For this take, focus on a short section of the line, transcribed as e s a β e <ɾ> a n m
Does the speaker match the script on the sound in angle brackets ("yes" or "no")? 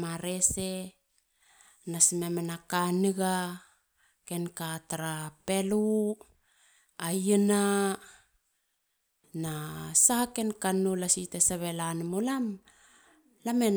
no